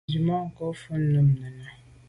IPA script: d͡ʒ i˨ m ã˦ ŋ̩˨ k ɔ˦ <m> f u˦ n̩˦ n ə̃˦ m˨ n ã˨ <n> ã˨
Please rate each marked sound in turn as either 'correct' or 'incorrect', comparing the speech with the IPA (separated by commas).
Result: incorrect, correct